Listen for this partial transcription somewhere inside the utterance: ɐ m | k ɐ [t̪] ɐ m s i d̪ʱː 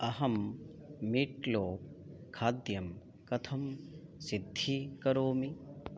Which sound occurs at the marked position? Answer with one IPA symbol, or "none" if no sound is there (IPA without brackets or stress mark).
t̪ʰ